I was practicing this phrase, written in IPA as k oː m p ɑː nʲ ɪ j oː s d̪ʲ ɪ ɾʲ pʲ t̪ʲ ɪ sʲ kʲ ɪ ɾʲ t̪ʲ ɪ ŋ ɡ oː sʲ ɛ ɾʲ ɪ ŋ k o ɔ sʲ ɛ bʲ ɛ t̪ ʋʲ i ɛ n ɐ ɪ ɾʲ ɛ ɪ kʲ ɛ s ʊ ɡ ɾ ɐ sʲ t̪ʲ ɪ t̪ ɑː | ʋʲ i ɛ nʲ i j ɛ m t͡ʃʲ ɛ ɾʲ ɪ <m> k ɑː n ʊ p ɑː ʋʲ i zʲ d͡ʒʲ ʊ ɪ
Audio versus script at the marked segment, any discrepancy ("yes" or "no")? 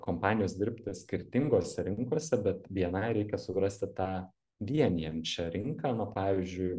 yes